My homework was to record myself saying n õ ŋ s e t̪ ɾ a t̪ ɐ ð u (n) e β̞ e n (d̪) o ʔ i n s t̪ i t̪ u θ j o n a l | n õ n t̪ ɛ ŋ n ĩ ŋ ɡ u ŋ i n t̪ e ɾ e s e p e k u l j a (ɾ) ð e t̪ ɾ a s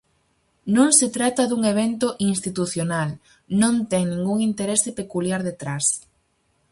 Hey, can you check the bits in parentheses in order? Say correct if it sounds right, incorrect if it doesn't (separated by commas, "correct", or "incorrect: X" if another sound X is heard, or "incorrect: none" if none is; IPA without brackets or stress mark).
incorrect: ŋ, incorrect: t̪, correct